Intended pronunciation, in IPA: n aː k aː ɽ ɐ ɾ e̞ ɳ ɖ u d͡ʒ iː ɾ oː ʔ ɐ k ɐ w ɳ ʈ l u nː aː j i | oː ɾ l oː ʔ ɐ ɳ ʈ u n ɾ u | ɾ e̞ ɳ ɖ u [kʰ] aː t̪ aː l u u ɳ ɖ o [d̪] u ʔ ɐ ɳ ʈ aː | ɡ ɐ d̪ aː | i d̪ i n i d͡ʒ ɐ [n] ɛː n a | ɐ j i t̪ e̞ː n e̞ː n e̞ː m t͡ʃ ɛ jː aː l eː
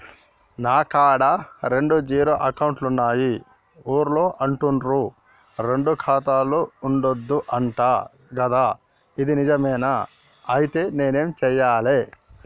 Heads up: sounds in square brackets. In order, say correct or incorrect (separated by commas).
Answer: correct, incorrect, incorrect